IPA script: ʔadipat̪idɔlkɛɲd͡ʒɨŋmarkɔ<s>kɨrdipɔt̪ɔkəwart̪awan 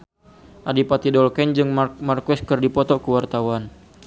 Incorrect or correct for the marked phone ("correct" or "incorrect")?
correct